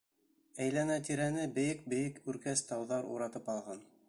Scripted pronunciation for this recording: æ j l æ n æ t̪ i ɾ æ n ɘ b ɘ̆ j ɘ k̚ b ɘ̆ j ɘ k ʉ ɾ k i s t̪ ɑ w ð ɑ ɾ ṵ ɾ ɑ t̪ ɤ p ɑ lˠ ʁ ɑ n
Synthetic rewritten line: æ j l æ n æ t̪ i ɾ æ n ɘ b ɘ̆ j ɘ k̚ b ɘ̆ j ɘ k ʉ ɾ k æ s t̪ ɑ w ð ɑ ɾ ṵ ɾ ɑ t̪ ɤ p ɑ lˠ ʁ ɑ n

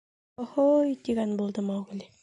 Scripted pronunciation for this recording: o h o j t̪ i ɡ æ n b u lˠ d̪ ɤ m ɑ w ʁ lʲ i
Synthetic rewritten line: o h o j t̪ i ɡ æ n b u lˠ d̪ ɤ m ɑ w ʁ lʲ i

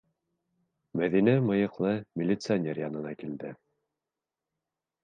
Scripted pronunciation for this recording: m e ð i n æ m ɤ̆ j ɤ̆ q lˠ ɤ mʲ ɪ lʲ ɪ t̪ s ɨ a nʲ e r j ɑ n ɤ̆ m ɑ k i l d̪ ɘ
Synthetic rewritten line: m æ ð i n æ m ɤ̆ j ɤ̆ q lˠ ɤ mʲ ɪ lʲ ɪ t̪ s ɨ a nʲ e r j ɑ n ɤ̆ n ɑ k i l d̪ ɘ

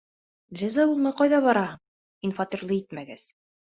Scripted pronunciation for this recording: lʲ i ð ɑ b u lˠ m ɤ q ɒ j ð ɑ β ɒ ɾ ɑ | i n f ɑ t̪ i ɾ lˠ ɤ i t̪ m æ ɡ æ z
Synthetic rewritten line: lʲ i z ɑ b u lˠ m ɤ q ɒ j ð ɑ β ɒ ɾ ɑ | i n f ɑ t̪ i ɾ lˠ ɤ i t̪ m æ ɡ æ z

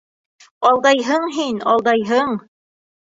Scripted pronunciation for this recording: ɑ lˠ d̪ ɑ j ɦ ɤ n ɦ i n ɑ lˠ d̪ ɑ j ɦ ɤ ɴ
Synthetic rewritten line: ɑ lˠ d̪ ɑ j ɦ ɤ ɴ ɦ i n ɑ lˠ d̪ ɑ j ɦ ɤ ɴ

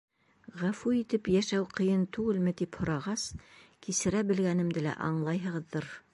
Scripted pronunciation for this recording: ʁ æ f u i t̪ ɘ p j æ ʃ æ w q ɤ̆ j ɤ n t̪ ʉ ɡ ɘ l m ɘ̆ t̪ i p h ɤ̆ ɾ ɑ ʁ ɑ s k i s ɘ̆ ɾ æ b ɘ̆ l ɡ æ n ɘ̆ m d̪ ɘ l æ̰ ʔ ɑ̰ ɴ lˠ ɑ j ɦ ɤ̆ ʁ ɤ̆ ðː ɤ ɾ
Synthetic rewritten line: ʁ æ f u i t̪ ɘ p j æ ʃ æ w q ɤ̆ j ɤ n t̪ ʉ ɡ ɘ l m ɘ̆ t̪ i p h ŏ ɾ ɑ ʁ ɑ s k i s ɘ̆ ɾ æ b ɘ̆ l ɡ æ n ɘ̆ m d̪ ɘ l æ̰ ʔ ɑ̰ ɴ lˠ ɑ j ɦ ɤ̆ ʁ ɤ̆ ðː ɤ ɾ

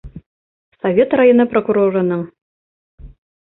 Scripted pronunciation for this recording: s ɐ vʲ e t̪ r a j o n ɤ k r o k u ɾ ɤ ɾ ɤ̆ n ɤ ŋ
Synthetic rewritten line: s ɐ vʲ e t̪ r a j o n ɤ p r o k u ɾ o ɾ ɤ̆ n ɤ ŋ

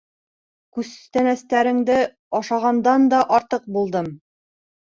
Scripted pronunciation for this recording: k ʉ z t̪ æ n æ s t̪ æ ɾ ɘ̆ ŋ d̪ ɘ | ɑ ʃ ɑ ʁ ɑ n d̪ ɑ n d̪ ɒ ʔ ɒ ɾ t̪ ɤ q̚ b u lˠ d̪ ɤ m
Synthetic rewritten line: k ʉ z t̪ æ n æ s t̪ æ ɾ ɘ̆ ŋ d̪ ɘ | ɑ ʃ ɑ ʁ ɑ n d̪ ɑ n d̪ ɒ ʔ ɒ ɾ t̪ ɤ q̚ b u lˠ d̪ ɤ m

